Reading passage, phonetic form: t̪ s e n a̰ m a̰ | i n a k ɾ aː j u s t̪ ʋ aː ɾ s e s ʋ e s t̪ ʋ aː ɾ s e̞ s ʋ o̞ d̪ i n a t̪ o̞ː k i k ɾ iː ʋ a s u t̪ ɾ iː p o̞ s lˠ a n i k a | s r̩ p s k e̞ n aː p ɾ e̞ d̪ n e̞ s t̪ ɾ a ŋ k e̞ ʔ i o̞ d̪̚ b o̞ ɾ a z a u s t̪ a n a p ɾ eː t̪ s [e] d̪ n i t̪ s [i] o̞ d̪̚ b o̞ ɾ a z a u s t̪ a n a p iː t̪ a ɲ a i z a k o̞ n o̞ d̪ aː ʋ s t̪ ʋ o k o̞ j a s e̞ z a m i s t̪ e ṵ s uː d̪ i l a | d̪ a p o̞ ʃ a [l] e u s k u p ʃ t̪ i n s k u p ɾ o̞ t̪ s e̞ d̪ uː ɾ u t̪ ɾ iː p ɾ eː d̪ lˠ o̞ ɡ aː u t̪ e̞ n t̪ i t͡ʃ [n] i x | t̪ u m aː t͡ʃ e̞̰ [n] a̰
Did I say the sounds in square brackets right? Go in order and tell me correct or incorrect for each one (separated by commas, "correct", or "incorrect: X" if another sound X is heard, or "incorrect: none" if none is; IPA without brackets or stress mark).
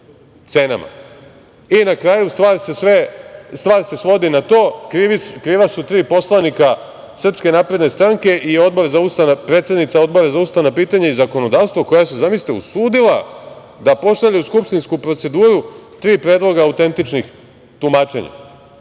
correct, incorrect: a, incorrect: ʎ, correct, incorrect: ɲ